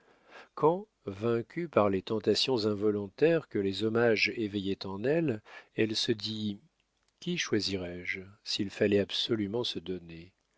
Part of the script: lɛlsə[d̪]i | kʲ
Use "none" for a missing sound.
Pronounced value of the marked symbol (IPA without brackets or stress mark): d̪